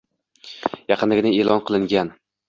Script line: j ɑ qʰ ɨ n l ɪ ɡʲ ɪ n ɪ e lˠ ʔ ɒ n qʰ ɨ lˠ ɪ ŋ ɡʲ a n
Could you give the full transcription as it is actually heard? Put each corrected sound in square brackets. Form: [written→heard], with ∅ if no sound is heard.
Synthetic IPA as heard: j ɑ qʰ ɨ n l ɪ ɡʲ ɪ n ɪ e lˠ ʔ ɒ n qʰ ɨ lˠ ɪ ŋ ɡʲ a n

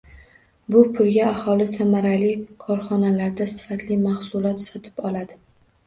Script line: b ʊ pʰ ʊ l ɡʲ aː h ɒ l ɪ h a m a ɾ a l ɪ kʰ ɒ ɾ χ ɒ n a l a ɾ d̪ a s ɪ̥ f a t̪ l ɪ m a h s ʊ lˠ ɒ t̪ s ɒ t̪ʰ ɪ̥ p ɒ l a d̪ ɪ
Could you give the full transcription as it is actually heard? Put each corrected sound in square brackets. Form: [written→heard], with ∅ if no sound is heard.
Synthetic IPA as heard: b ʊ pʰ ʊ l ɡʲ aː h ɒ l ɪ [h→s] a m a ɾ a l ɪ kʰ ɒ ɾ χ ɒ n a l a ɾ d̪ a s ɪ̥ f a t̪ l ɪ m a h s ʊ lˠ ɒ t̪ s ɒ t̪ʰ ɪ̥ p ɒ l a d̪ ɪ

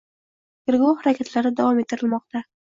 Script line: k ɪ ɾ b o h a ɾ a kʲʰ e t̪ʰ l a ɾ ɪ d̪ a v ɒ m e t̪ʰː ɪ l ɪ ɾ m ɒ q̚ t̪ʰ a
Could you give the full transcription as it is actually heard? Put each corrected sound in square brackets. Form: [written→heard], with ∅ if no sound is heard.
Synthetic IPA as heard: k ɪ ɾ [b→ɡ] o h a ɾ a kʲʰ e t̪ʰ l a ɾ ɪ d̪ a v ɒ m e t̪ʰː ɪ [l→ɾ] ɪ [ɾ→l] m ɒ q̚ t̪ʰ a

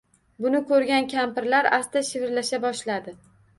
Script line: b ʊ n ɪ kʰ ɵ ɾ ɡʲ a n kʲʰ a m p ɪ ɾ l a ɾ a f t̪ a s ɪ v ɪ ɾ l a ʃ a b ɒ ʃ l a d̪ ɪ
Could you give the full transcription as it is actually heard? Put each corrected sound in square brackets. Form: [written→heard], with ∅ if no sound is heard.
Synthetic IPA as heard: b ʊ n ɪ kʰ ɵ ɾ ɡʲ a n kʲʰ a m p ɪ ɾ l a ɾ a [f→s] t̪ a [s→ʃ] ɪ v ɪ ɾ l a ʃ a b ɒ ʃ l a d̪ ɪ

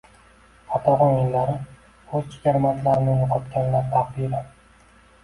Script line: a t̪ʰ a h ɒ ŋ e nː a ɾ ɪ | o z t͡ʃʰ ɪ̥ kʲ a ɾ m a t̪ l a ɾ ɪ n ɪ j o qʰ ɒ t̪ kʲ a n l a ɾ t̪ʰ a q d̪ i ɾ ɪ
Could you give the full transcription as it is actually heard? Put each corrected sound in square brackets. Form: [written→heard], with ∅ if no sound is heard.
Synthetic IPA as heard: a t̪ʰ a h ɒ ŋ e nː a ɾ ɪ | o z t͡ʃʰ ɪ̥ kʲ a ɾ m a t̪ l a ɾ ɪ n ɪ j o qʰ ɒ t̪ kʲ a n l a ɾ t̪ʰ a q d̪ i ɾ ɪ

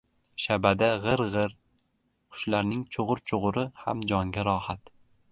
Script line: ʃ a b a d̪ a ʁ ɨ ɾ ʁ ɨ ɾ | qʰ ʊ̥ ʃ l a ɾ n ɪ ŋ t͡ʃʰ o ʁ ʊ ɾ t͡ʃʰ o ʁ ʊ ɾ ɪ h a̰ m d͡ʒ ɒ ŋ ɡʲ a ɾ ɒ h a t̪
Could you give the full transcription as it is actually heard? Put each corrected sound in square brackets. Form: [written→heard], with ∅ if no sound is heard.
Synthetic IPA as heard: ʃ a b a d̪ a ʁ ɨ ɾ ʁ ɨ ɾ | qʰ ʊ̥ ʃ l a ɾ n ɪ ŋ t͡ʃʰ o ʁ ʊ ɾ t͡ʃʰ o ʁ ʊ ɾ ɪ h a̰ m d͡ʒ ɒ ŋ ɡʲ a ɾ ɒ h a t̪

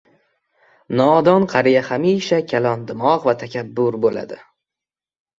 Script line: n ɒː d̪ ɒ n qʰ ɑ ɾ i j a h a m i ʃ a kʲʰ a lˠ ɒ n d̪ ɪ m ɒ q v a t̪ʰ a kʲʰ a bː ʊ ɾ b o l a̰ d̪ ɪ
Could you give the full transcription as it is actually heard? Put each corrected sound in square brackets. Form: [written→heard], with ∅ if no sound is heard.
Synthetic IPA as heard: n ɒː d̪ ɒ n qʰ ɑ ɾ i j a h a m i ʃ a kʲʰ a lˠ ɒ n d̪ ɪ m ɒ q v a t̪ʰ a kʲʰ a bː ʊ ɾ b o l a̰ d̪ ɪ

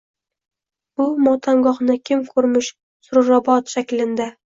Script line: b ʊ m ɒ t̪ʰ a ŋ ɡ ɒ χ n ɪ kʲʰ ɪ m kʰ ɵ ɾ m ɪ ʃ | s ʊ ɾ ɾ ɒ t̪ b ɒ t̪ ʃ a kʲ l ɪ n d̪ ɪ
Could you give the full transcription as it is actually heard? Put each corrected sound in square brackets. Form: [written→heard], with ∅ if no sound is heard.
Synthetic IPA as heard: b ʊ m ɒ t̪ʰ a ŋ ɡ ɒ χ n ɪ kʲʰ ɪ m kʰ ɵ ɾ m ɪ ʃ | s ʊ ɾ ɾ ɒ [t̪→∅] b ɒ t̪ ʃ a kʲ l ɪ n d̪ ɪ

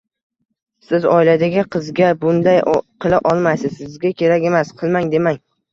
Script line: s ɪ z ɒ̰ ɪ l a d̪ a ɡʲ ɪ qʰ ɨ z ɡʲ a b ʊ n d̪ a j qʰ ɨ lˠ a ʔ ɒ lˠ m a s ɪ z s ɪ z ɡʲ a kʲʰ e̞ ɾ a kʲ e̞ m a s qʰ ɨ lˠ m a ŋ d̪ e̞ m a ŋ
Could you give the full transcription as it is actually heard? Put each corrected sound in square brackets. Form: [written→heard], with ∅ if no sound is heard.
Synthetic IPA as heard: s ɪ z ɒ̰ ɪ l a d̪ a ɡʲ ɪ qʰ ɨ z ɡʲ a b ʊ n d̪ a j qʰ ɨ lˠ a ʔ ɒ lˠ m a s ɪ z s ɪ z ɡʲ a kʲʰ e̞ ɾ a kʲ e̞ m a s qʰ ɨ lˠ m a ŋ d̪ e̞ m a ŋ

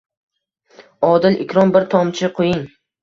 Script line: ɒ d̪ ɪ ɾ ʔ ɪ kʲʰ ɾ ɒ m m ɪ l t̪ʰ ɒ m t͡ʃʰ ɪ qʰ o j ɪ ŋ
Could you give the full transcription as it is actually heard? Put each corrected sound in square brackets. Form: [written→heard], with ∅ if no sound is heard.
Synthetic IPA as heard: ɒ d̪ ɪ [ɾ→l] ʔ ɪ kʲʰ ɾ ɒ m [m→b] ɪ [l→ɾ] t̪ʰ ɒ m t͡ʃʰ ɪ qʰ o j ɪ ŋ

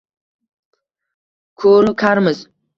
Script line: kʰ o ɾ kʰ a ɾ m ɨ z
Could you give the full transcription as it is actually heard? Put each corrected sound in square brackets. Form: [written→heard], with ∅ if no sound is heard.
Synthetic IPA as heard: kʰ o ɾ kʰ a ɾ m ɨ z

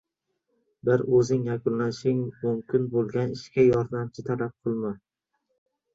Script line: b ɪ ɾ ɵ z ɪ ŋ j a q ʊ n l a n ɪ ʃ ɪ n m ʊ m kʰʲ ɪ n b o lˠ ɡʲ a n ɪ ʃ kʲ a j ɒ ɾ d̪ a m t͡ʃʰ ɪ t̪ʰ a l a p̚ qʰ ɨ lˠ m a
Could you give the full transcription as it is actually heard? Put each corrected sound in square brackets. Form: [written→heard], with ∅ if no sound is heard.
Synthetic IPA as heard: b ɪ ɾ ɵ z ɪ ŋ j a [q→k] ʊ n l a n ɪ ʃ ɪ [n→ŋ] m ʊ m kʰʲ ɪ n b o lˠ ɡʲ a n ɪ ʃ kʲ a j ɒ ɾ d̪ a m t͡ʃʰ ɪ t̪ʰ a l a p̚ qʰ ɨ lˠ m a

